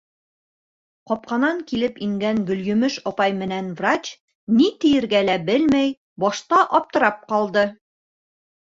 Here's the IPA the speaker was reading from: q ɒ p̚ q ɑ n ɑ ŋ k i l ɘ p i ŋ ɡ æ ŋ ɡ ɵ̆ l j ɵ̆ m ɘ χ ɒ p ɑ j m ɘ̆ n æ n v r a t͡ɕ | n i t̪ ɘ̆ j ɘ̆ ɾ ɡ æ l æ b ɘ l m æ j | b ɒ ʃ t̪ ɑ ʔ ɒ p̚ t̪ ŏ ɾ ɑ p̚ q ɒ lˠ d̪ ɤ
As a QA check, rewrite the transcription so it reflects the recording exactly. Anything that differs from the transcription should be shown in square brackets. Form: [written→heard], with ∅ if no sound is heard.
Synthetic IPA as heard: q ɒ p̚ q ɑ n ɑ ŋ k i l ɘ p i ŋ ɡ æ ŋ ɡ ɵ̆ l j ɵ̆ m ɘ [χ→ʃ] ɒ p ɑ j m ɘ̆ n æ n v r a t͡ɕ | n i t̪ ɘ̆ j ɘ̆ ɾ ɡ æ l æ b ɘ l m æ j | b ɒ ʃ t̪ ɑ ʔ ɒ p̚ t̪ [ŏ→ɤ̆] ɾ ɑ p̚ q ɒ lˠ d̪ ɤ

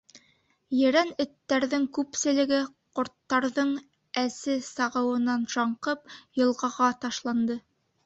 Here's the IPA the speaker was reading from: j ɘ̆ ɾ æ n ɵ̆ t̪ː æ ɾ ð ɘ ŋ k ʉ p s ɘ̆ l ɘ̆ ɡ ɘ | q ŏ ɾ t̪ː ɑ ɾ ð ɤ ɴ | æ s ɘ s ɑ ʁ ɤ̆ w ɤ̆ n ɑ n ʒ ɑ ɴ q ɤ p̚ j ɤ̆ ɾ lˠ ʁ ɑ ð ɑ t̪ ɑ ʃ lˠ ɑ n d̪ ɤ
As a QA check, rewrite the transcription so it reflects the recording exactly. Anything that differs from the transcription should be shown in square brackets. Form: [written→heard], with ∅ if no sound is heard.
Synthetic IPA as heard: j ɘ̆ ɾ æ n ɵ̆ t̪ː æ ɾ ð ɘ ŋ k ʉ p s ɘ̆ l ɘ̆ ɡ ɘ | q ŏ ɾ t̪ː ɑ ɾ ð ɤ ɴ | æ s ɘ s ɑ ʁ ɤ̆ w ɤ̆ n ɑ n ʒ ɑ ɴ q ɤ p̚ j ɤ̆ [ɾ→∅] lˠ ʁ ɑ [ð→ʁ] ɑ t̪ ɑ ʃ lˠ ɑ n d̪ ɤ

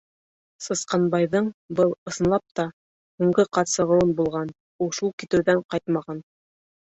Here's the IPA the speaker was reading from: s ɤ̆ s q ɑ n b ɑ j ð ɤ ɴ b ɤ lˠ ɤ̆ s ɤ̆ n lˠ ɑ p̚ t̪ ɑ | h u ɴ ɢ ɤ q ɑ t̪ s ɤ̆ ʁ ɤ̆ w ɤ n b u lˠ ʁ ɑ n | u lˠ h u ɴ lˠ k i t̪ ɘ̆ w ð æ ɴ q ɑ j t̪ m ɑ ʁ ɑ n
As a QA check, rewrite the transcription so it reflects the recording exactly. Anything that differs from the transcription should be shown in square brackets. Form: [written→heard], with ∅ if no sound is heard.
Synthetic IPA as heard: s ɤ̆ s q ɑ n b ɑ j ð ɤ ɴ b ɤ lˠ ɤ̆ s ɤ̆ n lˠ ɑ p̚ t̪ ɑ | h u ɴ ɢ ɤ q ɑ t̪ s ɤ̆ ʁ ɤ̆ w ɤ n b u lˠ ʁ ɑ n | u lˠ [h→ʃ] u [ɴ→∅] lˠ k i t̪ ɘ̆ w ð æ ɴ q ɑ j t̪ m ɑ ʁ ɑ n

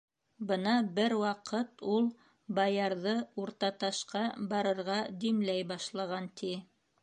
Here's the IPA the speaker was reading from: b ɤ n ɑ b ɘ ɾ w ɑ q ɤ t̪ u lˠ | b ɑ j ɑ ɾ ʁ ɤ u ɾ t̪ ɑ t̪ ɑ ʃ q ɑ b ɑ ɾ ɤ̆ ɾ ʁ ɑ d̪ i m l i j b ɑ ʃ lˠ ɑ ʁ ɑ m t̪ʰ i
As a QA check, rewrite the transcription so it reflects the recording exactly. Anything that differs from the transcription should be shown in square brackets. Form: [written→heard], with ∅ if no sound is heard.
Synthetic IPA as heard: b ɤ n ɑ b ɘ ɾ w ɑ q ɤ t̪ u lˠ | b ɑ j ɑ ɾ [ʁ→ð] ɤ u ɾ t̪ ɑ t̪ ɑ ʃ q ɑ b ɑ ɾ ɤ̆ ɾ ʁ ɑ d̪ i m l [i→æ] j b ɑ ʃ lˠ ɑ ʁ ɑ [m→n] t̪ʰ i

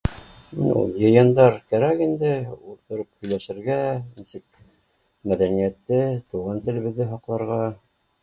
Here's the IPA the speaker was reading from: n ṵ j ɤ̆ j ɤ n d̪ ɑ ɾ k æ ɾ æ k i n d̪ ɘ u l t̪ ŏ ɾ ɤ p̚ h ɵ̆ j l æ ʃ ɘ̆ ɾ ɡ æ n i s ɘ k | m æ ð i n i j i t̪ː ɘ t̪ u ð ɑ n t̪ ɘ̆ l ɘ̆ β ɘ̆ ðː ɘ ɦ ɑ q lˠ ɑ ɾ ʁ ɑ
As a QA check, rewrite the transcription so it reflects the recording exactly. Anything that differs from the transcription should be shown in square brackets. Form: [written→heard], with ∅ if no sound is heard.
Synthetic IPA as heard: n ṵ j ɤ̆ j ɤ n d̪ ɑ ɾ k æ ɾ æ k i n d̪ ɘ u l t̪ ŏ ɾ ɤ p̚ h ɵ̆ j l æ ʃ ɘ̆ ɾ ɡ æ n i s ɘ k | m æ ð [i→æ] n i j [i→æ] t̪ː ɘ t̪ u [ð→ʁ] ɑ n t̪ ɘ̆ l ɘ̆ β ɘ̆ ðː ɘ ɦ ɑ q lˠ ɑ ɾ ʁ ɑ

